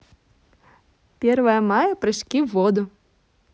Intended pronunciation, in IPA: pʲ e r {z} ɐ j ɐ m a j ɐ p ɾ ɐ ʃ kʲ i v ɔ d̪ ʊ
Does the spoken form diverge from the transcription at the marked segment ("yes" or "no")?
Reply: yes